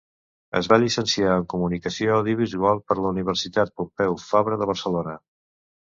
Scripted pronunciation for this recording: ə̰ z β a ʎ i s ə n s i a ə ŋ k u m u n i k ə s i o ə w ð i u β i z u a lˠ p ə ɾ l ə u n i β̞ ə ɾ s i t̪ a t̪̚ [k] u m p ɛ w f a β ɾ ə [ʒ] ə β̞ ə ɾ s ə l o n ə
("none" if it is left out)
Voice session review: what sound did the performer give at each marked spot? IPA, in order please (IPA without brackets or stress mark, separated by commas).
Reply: p, ð